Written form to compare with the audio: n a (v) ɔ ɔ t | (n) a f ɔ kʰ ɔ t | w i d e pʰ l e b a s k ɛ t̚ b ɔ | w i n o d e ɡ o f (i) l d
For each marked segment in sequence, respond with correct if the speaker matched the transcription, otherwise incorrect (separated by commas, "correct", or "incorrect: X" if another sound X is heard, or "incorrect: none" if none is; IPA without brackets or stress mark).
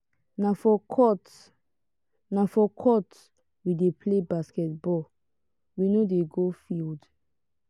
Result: incorrect: f, correct, correct